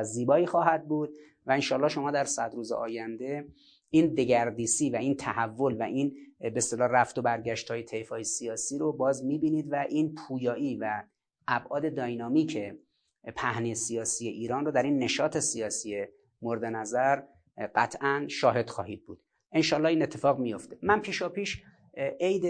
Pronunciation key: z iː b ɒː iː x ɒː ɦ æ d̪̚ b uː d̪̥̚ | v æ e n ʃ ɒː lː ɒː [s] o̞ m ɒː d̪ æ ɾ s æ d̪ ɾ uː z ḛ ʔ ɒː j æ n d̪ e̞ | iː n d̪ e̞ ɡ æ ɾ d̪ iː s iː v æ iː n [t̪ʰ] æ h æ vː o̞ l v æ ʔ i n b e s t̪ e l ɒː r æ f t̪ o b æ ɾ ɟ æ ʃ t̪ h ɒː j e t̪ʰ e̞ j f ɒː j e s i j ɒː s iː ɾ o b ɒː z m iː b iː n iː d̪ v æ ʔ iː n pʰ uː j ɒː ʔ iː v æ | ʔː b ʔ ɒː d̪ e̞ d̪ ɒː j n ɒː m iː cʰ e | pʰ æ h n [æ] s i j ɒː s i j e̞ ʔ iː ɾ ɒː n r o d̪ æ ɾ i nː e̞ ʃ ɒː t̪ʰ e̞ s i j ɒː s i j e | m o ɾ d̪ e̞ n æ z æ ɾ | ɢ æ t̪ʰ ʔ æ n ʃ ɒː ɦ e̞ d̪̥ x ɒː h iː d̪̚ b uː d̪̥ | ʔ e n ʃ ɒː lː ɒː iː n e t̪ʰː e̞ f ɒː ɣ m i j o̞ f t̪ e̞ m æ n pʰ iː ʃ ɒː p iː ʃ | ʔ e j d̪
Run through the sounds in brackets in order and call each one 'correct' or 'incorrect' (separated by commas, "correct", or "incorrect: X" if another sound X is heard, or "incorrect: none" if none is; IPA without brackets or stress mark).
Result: incorrect: ʃ, correct, incorrect: i